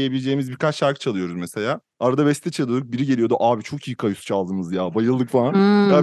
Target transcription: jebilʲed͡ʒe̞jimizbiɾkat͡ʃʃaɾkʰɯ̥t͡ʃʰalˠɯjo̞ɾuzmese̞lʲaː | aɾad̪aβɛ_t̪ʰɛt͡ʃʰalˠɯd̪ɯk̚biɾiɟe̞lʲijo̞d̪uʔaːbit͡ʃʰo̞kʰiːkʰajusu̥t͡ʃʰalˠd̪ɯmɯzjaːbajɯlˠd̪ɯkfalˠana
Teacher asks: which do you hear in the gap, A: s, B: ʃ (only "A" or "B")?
A